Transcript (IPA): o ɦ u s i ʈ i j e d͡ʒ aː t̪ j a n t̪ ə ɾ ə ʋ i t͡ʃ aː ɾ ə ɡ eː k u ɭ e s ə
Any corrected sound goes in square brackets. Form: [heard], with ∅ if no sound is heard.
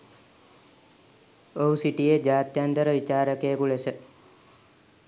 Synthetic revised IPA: o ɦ u s i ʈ i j e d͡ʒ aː t̪ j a n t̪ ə ɾ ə ʋ i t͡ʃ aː ɾ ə [k] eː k u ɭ e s ə